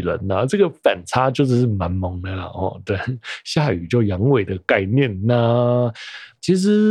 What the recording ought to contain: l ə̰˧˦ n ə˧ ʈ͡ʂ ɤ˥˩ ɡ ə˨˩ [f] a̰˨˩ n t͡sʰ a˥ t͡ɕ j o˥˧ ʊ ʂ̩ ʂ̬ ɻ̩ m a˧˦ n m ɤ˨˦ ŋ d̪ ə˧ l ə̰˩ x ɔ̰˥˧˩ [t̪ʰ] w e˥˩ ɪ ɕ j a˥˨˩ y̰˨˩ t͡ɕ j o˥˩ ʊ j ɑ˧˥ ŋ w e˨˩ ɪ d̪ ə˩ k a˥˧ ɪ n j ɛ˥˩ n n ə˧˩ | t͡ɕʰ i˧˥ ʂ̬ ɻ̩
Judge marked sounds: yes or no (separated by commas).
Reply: yes, no